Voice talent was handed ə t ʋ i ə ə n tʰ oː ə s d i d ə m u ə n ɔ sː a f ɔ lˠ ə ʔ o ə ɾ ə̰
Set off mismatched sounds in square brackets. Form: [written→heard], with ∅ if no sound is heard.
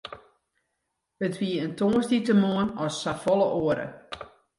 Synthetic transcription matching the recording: ə t ʋ i ə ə n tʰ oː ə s d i [d→t] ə m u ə n ɔ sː a f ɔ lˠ ə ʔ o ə ɾ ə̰